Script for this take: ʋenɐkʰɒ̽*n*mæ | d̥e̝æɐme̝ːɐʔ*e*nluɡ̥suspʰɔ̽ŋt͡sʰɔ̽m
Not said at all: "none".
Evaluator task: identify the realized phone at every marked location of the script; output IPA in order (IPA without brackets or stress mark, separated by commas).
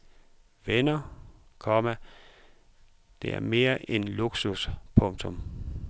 none, e